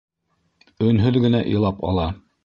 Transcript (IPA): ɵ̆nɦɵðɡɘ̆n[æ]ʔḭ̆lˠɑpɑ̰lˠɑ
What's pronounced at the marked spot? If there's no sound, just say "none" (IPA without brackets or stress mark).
æ